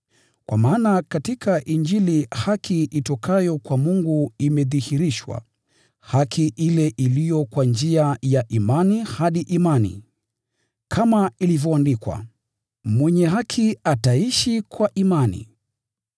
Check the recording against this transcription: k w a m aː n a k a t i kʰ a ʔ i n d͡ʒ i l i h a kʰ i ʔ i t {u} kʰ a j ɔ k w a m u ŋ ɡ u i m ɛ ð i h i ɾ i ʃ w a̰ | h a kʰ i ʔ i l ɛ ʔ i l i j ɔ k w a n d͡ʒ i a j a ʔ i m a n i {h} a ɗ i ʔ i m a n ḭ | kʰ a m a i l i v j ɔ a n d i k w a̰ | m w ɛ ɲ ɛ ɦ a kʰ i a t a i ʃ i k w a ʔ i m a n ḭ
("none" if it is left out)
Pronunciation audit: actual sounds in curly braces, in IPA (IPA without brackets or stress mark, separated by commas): ɔ, h